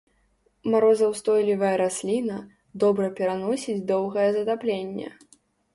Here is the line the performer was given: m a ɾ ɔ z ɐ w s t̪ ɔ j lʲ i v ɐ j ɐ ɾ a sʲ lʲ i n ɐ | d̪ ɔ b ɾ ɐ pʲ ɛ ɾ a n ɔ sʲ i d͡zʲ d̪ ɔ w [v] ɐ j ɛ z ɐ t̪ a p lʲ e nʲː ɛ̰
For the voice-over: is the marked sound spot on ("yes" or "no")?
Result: no